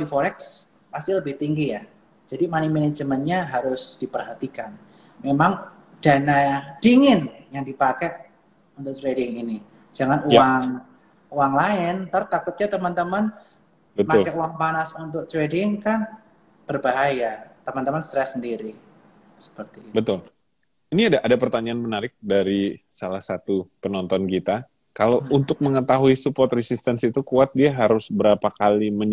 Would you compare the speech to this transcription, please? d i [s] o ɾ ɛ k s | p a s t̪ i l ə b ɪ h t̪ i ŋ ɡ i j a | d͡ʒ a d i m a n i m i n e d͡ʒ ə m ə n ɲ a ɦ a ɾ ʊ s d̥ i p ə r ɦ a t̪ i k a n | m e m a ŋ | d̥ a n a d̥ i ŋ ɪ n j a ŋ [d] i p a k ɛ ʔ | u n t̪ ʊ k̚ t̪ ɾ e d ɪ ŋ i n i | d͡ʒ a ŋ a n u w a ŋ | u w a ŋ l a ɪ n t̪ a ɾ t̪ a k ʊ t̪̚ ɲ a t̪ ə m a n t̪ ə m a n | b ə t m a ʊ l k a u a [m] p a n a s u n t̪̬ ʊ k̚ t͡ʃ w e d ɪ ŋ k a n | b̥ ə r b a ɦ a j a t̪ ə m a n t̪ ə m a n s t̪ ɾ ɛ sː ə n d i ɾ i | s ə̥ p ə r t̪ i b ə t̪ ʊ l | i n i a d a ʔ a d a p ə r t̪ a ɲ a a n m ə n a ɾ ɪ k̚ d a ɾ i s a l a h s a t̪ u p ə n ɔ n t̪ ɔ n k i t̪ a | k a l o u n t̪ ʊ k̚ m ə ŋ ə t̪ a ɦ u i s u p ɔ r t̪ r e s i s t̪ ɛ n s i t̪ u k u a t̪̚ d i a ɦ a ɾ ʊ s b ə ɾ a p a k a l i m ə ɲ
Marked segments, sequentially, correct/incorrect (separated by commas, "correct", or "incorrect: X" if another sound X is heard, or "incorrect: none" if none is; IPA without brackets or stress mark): incorrect: f, correct, incorrect: ŋ